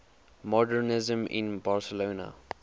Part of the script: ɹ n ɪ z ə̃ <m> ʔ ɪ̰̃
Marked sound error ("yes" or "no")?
no